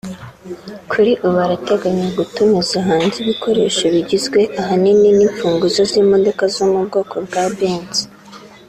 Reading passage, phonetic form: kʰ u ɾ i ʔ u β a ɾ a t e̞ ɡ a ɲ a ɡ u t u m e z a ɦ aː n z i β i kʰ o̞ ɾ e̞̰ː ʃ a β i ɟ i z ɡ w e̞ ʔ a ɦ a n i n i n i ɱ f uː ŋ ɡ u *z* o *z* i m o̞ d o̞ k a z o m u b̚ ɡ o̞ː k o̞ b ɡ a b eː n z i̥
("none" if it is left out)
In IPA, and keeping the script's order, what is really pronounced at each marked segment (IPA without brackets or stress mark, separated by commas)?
z, z